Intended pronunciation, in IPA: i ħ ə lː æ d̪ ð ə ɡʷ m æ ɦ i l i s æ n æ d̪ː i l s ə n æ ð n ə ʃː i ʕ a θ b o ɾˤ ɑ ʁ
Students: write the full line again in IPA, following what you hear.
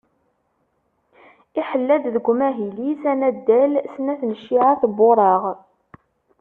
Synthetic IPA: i ħ ə lː æ d̪ ð ə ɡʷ m æ ɦ i l i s æ n æ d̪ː æ l s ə n æ θ n ə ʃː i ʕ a θ b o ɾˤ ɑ ʁ